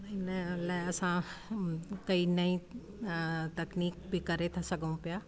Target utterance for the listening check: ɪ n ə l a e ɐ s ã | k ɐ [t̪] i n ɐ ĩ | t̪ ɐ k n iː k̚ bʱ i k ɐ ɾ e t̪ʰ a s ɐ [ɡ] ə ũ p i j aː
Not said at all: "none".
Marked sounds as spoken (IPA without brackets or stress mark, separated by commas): none, ɡ